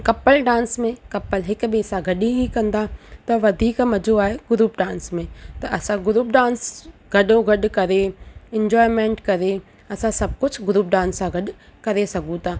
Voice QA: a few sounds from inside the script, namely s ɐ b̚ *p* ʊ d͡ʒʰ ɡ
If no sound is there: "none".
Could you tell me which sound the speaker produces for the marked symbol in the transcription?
k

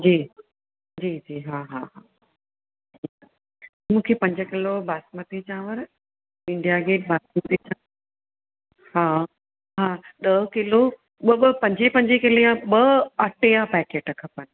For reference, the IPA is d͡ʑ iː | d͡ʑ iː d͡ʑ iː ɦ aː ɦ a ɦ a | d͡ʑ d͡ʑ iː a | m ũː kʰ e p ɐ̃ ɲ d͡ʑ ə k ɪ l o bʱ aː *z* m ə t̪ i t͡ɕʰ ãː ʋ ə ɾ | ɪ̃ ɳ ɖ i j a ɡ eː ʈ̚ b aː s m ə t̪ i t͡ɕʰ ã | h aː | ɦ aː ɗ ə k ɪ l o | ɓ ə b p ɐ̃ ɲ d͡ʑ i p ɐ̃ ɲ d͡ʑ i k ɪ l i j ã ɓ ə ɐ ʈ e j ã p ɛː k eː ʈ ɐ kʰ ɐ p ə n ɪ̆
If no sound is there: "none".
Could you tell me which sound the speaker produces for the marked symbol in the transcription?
s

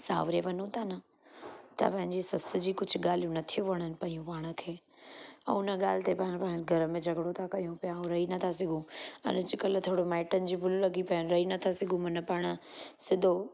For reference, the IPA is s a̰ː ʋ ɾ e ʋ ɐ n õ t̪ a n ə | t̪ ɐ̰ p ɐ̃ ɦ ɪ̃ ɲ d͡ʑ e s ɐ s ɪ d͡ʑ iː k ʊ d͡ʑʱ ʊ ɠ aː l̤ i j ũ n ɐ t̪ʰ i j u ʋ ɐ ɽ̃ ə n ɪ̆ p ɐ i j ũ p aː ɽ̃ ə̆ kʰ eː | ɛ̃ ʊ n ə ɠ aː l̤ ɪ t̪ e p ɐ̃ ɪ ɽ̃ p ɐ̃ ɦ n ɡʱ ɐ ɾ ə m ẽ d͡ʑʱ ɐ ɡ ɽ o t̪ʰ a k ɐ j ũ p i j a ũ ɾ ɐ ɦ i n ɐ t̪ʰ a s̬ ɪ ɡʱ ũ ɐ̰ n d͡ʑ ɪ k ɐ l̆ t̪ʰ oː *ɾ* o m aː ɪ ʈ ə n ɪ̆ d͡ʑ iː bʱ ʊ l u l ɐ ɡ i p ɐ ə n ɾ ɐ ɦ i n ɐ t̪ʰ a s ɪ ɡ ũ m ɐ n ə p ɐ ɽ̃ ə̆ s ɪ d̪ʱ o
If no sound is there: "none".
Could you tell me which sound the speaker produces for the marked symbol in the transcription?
ɽ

